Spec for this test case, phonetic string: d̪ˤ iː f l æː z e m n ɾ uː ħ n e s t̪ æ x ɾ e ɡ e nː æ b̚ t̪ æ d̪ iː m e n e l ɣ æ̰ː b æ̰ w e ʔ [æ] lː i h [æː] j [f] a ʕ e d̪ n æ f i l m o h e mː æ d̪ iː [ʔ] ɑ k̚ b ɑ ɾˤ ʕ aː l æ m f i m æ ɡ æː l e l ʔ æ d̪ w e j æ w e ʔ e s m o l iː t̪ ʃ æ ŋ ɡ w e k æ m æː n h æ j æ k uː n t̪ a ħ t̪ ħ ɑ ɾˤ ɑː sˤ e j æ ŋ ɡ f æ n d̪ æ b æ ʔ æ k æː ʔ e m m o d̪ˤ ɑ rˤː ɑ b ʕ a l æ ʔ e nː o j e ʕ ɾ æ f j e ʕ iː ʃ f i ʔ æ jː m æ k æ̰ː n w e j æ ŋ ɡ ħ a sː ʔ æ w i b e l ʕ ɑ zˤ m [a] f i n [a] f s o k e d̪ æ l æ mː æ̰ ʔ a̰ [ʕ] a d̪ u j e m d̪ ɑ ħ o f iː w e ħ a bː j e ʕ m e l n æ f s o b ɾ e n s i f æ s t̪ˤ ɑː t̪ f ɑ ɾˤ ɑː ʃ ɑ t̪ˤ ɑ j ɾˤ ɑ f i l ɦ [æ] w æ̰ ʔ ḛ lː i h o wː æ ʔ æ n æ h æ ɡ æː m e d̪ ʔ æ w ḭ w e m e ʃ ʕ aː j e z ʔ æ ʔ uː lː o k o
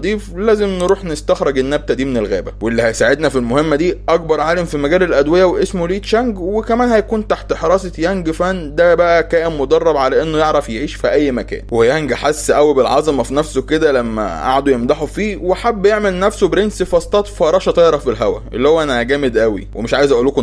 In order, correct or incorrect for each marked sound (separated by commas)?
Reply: incorrect, incorrect, incorrect, correct, incorrect, incorrect, correct, correct